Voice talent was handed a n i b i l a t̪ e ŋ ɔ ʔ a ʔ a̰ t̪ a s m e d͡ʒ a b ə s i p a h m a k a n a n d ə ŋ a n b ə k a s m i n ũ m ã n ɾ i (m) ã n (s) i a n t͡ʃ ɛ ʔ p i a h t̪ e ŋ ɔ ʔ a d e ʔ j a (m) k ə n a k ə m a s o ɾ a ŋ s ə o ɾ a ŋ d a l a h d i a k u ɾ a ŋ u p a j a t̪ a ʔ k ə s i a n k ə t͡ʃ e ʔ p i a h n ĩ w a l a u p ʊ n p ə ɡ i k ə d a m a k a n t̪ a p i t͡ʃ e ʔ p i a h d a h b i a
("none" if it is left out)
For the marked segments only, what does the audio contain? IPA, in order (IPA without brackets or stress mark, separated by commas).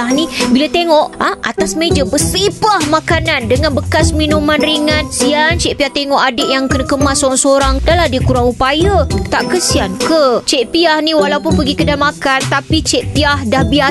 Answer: ŋ, s, ŋ